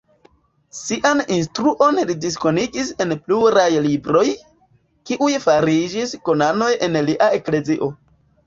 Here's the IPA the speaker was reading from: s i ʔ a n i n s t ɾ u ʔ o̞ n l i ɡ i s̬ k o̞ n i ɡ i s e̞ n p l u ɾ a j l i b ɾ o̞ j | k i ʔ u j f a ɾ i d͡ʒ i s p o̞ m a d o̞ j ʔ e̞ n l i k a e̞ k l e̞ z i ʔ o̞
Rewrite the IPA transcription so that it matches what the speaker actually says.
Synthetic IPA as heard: s i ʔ a n i n s t ɾ u ʔ o̞ n l i d i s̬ k o̞ n i ɡ i s e̞ n p l u ɾ a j l i b ɾ o̞ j | k i ʔ u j f a ɾ i d͡ʒ i s k o̞ n a n o̞ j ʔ e̞ n l i ʔ a e̞ k l e̞ z i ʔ o̞